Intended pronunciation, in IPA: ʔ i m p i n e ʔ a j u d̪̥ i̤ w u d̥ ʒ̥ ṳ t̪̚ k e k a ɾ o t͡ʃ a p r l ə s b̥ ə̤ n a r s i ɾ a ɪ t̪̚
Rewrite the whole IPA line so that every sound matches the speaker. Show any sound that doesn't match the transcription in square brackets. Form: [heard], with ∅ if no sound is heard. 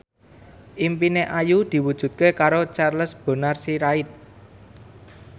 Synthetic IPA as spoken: ʔ i m p i n e ʔ a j u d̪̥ i̤ w u d̥ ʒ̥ ṳ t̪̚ k e k a ɾ o t͡ʃ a [∅] r l ə s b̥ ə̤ n a r s i ɾ a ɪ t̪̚